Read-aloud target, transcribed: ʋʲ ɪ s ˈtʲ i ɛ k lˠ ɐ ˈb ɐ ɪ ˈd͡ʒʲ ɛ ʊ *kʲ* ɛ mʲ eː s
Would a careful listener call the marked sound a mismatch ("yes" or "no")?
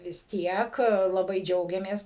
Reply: yes